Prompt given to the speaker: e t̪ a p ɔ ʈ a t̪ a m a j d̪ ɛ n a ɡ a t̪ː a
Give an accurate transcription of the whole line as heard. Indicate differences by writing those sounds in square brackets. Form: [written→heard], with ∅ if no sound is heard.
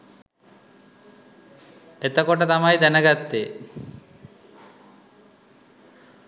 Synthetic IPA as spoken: e t̪ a [p→k] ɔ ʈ a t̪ a m a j d̪ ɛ n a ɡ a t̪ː [a→e]